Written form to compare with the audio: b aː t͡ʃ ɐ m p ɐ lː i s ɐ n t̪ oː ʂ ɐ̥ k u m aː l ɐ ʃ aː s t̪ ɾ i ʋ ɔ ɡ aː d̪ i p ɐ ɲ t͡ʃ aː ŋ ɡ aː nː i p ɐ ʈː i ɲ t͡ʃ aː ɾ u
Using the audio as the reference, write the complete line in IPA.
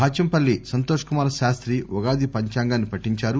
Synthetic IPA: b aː t͡ʃ ɐ m p ɐ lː i s ɐ n t̪ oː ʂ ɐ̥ k u m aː ɾ ɐ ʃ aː s t̪ ɾ i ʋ ɔ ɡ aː d̪ i p ɐ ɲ t͡ʃ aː ŋ ɡ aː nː i p ɐ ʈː i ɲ t͡ʃ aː ɾ u

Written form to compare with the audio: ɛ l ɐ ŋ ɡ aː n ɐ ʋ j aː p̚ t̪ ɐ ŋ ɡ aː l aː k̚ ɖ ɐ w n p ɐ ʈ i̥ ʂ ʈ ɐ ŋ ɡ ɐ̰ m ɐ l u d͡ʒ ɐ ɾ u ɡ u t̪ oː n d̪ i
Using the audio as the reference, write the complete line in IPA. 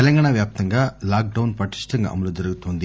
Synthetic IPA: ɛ l ɐ ŋ ɡ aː ɳ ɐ ʋ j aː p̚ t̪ ɐ ŋ ɡ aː l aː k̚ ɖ ɐ w n p ɐ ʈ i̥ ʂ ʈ ɐ ŋ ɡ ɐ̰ m ɐ l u d͡ʒ ɐ ɾ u ɡ u t̪ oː n d̪ i

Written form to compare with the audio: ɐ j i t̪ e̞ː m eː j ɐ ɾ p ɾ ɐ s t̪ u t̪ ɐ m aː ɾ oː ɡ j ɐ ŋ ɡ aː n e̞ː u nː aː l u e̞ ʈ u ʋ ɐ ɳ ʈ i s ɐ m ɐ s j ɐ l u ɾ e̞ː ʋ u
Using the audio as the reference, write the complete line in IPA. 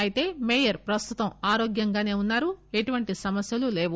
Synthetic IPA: ɐ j i t̪ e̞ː m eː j ɐ ɾ p ɾ ɐ s t̪ u t̪ ɐ m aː ɾ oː ɡ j ɐ ŋ ɡ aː n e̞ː u nː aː ɾ u e̞ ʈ u ʋ ɐ ɳ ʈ i s ɐ m ɐ s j ɐ l u l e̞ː ʋ u

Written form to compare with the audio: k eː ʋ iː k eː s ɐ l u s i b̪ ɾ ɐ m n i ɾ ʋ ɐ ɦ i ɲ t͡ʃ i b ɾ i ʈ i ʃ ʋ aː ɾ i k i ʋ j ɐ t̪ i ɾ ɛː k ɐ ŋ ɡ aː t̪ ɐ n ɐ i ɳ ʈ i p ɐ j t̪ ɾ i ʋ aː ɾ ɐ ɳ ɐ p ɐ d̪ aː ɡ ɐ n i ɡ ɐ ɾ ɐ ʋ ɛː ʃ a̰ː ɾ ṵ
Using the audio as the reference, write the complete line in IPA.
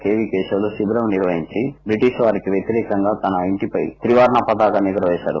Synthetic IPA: k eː ʋ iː k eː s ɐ l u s i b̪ ɾ ɐ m n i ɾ ʋ ɐ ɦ i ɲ t͡ʃ i b ɾ i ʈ i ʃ ʋ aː ɾ i k i ʋ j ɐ t̪ i ɾ ɛː k ɐ ŋ ɡ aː t̪ ɐ n ɐ i ɳ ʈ i p ɐ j t̪ ɾ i ʋ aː ɾ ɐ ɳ ɐ p ɐ d̪ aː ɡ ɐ n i ɡ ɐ ɾ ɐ ʋ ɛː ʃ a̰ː ɾ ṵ

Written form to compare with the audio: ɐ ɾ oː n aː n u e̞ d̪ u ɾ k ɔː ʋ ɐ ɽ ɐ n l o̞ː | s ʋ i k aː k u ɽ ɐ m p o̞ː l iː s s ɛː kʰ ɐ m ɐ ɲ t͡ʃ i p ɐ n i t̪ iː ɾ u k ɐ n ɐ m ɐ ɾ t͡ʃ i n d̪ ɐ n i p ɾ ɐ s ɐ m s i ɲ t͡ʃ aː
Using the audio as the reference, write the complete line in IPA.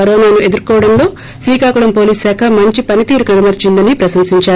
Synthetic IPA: ɐ ɾ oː n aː n u e̞ d̪ u ɾ k ɔː ʋ ɐ ɽ ɐ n l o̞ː | s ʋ iː k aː k u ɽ ɐ m p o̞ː l iː s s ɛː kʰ ɐ m ɐ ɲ t͡ʃ i p ɐ n i t̪ iː ɾ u k ɐ n ɐ m ɐ ɾ t͡ʃ i n d̪ ɐ n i p ɾ ɐ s ɐ m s i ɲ t͡ʃ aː

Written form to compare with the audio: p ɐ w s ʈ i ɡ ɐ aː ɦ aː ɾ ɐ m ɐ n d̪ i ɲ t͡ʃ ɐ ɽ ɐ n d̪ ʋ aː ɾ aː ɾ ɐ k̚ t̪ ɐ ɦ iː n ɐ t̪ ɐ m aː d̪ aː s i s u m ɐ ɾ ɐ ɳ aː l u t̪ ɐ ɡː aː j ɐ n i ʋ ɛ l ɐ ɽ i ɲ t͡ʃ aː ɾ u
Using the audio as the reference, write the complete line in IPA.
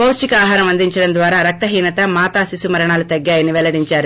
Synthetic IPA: p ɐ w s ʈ i k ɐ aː ɦ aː ɾ ɐ m ɐ n d̪ i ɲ t͡ʃ ɐ ɽ ɐ n d̪ ʋ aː ɾ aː ɾ ɐ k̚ t̪ ɐ ɦ iː n ɐ t̪ ɐ m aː t̪ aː s i s u m ɐ ɾ ɐ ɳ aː l u t̪ ɐ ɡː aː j ɐ n i ʋ ɛ l ɐ ɽ i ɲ t͡ʃ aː ɾ u

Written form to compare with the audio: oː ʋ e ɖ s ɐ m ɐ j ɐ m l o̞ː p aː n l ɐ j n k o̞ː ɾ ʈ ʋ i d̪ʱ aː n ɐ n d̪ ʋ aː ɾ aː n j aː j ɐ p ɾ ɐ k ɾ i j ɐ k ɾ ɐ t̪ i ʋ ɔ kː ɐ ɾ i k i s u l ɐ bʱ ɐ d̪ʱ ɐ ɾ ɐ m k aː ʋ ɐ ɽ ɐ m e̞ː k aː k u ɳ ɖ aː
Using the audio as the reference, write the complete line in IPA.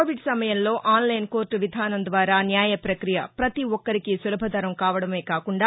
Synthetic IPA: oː ʋ i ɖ s ɐ m ɐ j ɐ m l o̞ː ʔ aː n l ɐ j n k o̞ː ɾ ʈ ʋ i d̪ʱ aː n ɐ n d̪ ʋ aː ɾ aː n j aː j ɐ p ɾ ɐ k ɾ i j ɐ p ɾ ɐ t̪ i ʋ ɔ kː ɐ ɾ i k i s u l ɐ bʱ ɐ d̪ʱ ɐ ɾ ɐ m k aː ʋ ɐ ɽ ɐ m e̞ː k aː k u ɳ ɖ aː

